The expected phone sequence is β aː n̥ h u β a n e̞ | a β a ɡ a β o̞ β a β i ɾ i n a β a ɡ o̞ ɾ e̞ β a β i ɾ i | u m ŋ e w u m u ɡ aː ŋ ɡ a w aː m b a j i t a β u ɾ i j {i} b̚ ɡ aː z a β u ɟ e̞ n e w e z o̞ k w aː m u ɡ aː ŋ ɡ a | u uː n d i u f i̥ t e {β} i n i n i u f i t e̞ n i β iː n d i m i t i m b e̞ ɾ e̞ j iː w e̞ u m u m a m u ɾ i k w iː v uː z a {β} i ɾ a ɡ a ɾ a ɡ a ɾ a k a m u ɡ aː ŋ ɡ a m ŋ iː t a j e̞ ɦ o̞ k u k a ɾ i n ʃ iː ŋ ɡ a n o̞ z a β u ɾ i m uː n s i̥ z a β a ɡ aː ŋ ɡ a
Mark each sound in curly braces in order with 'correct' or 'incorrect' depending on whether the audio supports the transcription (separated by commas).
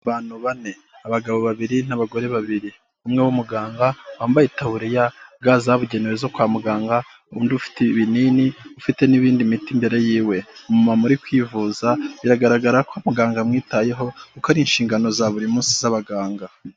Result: incorrect, correct, correct